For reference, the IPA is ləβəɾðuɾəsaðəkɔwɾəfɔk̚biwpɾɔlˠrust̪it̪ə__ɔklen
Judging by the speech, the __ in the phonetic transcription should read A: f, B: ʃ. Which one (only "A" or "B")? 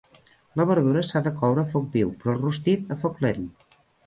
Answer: A